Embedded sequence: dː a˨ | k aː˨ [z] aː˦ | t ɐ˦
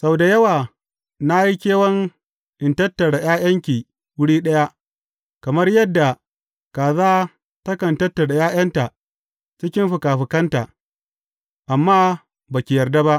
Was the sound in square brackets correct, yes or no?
yes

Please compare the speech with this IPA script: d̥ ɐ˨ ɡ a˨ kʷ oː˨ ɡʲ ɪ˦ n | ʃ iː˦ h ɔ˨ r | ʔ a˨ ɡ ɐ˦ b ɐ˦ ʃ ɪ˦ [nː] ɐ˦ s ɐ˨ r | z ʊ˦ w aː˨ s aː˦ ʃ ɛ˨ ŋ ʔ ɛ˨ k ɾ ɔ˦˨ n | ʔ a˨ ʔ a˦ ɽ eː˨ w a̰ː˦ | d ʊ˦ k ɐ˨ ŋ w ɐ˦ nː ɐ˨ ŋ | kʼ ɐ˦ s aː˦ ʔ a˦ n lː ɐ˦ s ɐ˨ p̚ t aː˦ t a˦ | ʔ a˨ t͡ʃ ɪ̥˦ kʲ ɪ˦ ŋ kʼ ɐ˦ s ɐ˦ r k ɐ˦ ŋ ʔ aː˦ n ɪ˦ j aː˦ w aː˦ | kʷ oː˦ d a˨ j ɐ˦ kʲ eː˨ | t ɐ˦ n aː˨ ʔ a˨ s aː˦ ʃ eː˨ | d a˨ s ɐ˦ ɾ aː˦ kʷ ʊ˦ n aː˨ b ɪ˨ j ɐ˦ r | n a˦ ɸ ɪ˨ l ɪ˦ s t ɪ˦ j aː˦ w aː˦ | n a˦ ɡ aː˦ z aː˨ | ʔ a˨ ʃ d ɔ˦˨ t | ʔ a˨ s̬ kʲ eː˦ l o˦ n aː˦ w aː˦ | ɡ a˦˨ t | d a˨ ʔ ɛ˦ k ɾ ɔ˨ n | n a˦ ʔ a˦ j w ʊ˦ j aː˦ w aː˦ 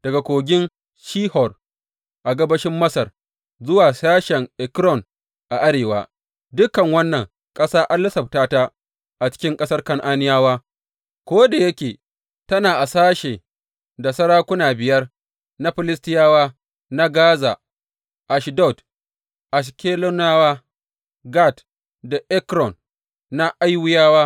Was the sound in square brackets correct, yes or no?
no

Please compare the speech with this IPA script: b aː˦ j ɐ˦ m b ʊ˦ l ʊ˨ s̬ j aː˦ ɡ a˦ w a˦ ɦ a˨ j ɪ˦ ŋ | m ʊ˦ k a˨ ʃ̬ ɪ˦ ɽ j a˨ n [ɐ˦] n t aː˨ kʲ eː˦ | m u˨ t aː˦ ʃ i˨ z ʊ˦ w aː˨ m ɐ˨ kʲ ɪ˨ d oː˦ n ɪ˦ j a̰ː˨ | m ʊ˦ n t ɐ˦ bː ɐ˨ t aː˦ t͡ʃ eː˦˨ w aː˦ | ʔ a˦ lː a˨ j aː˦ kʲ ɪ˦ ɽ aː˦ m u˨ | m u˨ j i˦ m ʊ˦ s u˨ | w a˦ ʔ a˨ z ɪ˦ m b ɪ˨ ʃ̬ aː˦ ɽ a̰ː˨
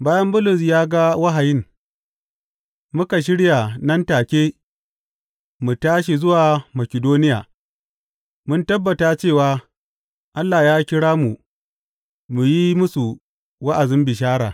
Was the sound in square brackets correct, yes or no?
yes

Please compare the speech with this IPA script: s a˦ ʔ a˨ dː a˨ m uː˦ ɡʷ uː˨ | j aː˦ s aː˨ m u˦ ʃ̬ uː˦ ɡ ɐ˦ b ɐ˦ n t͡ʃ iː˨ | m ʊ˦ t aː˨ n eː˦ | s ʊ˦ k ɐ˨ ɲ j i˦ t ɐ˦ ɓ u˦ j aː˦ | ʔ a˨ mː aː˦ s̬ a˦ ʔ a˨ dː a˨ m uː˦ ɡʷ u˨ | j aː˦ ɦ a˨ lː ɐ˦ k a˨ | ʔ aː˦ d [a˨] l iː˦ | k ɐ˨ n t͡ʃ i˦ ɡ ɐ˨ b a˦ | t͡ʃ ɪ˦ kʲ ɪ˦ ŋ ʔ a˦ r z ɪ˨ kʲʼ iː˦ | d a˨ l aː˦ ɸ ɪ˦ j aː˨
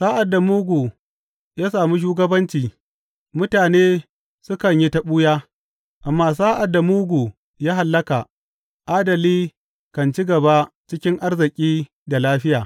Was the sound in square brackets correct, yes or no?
no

